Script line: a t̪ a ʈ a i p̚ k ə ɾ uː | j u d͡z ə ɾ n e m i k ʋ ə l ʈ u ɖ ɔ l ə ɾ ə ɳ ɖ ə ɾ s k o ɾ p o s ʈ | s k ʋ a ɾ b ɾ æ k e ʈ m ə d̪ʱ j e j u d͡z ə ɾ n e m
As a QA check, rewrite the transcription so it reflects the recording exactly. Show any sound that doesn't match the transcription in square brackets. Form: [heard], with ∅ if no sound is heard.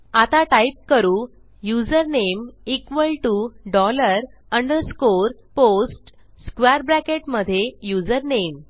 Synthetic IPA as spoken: a t̪ a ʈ a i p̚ k ə ɾ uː | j u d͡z ə ɾ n e m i k ʋ ə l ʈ u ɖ ɔ l ə ɾ ə ɳ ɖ ə ɾ s k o ɾ p o s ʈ | s k ʋ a ɾ b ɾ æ k e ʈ m ə d̪ʱ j e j u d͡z ə ɾ n e m